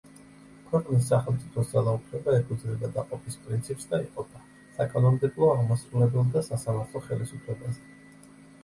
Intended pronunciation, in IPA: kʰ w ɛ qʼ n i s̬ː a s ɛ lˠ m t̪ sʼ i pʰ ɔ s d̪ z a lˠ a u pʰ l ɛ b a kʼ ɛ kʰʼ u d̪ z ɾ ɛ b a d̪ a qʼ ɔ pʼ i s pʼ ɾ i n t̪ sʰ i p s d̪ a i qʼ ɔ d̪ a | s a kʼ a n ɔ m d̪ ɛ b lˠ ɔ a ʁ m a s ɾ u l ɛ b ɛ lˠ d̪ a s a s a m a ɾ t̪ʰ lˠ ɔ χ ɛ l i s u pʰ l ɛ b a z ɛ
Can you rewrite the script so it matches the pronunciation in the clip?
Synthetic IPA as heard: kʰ w ɛ qʼ n i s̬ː a χ ɛ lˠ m t̪ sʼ i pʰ ɔ s d̪ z a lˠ a u pʰ l ɛ b a ɛ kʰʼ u d̪ z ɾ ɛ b a d̪ a qʼ ɔ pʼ i s pʼ ɾ i n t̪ sʰ i p s d̪ a i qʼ ɔ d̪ a | s a kʼ a n ɔ m d̪ ɛ b lˠ ɔ a ʁ m a s ɾ u l ɛ b ɛ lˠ d̪ a s a s a m a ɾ t̪ʰ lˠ ɔ χ ɛ l i s u pʰ l ɛ b a z ɛ